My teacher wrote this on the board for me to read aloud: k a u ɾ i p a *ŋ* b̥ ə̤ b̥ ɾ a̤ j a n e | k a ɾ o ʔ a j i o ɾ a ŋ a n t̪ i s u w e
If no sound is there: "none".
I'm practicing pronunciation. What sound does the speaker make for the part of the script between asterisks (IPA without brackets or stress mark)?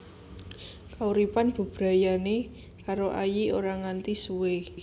n